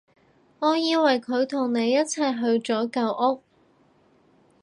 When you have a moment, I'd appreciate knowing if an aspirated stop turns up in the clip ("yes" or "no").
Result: yes